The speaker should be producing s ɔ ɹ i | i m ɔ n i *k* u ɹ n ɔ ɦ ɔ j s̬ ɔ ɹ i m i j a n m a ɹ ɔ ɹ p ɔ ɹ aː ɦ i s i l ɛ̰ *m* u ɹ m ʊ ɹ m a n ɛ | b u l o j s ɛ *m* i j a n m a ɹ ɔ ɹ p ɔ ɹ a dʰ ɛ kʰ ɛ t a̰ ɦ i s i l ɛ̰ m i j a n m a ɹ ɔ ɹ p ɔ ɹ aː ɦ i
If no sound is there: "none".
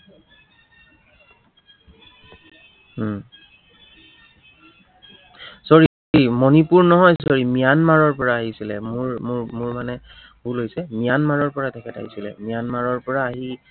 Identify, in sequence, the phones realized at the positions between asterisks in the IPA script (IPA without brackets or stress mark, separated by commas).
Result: p, m, m